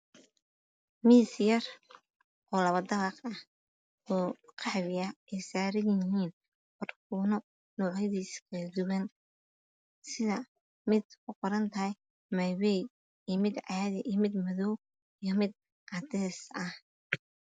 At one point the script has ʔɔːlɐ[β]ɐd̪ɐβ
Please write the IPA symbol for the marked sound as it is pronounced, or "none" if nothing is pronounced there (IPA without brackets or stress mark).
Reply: β